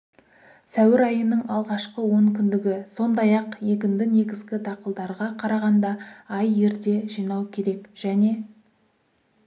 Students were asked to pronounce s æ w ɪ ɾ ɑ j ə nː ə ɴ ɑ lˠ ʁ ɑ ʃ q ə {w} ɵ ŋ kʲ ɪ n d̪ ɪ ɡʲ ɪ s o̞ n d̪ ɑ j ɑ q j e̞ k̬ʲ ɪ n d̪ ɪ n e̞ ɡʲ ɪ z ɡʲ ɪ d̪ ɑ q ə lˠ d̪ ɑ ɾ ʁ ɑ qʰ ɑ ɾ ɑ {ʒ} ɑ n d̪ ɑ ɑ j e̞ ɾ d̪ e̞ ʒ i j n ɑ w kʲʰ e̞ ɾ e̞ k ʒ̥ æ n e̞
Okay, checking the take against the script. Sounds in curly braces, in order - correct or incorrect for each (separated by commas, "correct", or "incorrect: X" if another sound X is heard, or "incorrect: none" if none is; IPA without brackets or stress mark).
correct, incorrect: ʁ